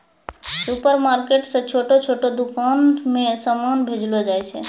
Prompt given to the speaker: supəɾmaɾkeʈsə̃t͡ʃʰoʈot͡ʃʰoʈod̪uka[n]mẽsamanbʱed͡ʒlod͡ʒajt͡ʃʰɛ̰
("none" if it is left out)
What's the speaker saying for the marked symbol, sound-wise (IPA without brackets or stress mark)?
n